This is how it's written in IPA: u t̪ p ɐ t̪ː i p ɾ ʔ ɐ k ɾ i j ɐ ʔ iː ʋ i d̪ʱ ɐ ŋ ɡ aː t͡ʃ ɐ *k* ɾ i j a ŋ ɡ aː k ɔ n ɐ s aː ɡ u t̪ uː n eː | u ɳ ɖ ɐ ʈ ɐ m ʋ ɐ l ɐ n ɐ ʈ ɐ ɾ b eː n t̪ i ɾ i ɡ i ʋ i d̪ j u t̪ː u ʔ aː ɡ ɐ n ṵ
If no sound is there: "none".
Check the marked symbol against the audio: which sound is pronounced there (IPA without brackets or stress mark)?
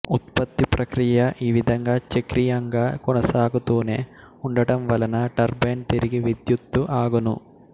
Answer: k